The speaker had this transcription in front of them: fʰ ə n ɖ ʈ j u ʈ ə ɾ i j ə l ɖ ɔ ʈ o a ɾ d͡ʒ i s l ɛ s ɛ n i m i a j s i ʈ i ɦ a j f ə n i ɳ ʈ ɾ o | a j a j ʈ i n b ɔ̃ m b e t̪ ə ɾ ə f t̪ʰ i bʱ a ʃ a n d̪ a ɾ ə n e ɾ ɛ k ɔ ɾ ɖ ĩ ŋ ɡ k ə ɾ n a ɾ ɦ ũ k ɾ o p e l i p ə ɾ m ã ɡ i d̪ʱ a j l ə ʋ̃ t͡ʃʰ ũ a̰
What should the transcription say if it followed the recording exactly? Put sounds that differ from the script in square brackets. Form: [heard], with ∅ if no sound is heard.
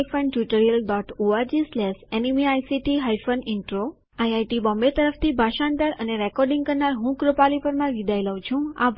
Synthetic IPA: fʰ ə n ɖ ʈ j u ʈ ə ɾ i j ə l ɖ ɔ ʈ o a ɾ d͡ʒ i s l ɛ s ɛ n i m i a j s i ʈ i ɦ a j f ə n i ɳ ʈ ɾ o | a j a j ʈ i [∅] b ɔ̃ m b e t̪ ə ɾ ə f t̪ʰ i bʱ a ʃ a n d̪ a ɾ ə n e ɾ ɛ k ɔ ɾ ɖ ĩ ŋ ɡ k ə ɾ n a ɾ ɦ ũ k ɾ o p [a] l i p ə ɾ m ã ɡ i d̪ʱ a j l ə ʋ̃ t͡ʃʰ ũ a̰